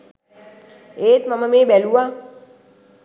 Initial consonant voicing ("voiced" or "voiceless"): voiceless